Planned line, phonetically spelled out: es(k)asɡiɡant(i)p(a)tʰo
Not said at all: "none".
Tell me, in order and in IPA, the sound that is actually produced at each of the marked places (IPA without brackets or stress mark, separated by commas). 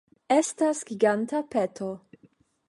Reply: t, a, e